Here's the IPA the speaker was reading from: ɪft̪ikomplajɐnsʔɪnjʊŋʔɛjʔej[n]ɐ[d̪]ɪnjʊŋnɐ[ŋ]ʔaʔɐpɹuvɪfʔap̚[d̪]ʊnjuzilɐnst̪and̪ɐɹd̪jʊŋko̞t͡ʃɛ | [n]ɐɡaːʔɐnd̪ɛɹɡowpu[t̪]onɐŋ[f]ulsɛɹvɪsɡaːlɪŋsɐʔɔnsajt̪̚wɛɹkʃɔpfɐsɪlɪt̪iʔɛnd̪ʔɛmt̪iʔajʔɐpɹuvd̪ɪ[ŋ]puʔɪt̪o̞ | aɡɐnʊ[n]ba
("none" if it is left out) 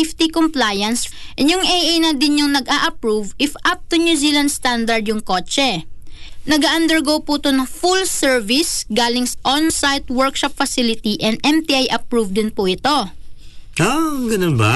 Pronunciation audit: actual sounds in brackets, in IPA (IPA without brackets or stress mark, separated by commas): n, d̪, ɡ, t̪, n, t̪, f, n, n